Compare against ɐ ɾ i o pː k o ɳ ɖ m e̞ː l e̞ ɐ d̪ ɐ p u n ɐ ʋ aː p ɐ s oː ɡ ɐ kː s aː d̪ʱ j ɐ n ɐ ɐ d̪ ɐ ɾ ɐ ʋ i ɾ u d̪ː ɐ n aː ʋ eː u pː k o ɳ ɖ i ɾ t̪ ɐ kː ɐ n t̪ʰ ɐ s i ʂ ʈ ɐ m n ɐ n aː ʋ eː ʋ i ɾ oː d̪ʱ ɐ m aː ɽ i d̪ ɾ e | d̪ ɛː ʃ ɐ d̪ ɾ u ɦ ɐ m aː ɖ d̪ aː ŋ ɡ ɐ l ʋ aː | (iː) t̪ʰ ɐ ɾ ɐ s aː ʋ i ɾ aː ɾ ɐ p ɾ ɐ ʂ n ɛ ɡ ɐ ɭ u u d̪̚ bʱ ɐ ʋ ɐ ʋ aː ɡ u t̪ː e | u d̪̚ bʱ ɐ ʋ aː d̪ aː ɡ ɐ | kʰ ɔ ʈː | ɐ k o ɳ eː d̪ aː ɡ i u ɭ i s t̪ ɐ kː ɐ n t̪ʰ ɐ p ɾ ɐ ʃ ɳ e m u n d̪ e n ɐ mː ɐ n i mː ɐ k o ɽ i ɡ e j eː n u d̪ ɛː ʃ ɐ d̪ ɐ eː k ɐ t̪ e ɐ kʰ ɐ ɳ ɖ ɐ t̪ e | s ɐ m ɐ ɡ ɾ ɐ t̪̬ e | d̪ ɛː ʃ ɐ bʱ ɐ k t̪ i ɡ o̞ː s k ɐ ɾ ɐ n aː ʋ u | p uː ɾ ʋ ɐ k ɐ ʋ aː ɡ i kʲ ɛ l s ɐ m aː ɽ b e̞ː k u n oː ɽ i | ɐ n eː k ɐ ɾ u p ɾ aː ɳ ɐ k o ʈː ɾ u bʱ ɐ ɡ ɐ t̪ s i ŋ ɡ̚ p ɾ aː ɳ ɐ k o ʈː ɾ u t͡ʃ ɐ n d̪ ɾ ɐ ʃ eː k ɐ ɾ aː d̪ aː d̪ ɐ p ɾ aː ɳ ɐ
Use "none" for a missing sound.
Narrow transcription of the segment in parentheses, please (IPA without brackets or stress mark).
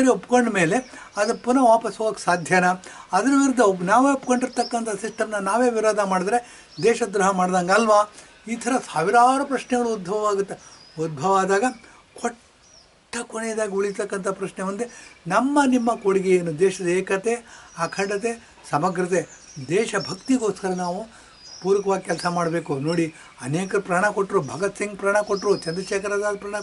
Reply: iː